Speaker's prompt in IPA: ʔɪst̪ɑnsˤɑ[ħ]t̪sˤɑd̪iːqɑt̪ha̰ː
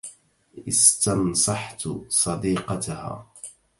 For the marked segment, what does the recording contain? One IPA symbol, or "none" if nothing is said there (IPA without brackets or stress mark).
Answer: ħ